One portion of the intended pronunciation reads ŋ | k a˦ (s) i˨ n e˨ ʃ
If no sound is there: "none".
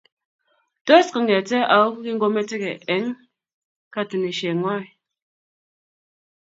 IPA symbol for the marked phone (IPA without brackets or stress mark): t